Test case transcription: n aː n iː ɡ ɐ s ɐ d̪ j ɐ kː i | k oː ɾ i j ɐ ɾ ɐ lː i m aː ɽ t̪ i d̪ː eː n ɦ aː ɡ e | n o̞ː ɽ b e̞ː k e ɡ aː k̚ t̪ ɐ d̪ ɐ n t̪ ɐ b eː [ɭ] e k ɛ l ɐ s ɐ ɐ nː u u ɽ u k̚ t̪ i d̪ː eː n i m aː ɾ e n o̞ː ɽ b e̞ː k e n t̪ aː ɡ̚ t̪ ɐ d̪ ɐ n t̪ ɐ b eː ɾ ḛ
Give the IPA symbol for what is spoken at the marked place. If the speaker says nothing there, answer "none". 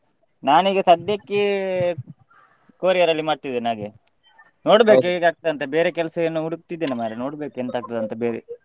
ɾ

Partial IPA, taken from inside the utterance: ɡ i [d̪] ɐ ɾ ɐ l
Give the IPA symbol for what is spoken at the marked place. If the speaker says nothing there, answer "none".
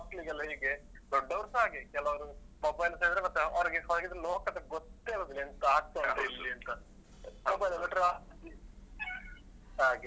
d̪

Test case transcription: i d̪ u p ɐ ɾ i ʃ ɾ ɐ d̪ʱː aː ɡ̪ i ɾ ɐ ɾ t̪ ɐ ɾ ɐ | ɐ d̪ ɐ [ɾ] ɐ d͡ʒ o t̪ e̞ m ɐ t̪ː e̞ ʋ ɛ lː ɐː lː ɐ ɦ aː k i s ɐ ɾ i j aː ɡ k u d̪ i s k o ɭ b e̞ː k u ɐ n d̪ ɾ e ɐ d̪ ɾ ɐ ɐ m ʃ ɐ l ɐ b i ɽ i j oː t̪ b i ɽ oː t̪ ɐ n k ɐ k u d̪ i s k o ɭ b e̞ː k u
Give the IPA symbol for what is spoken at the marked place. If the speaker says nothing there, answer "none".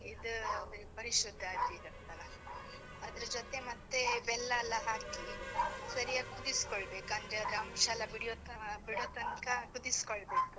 ɾ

